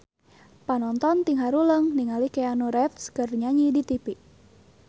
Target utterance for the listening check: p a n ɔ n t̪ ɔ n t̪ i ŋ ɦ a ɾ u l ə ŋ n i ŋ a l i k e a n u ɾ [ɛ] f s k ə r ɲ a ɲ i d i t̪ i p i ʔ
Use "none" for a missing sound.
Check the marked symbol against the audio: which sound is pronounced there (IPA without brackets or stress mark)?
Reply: ɛ